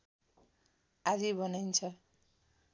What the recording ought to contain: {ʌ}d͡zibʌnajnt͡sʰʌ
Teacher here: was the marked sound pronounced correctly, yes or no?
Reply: no